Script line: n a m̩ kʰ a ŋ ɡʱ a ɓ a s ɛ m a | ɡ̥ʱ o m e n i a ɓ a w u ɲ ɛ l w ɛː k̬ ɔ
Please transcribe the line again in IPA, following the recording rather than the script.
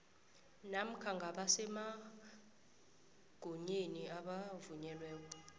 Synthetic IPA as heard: n a m̩ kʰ a ŋ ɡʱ a ɓ a s ɛ m a | ɡ̥ʱ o ɲ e n i a ɓ a v u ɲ ɛ l w ɛː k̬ ɔ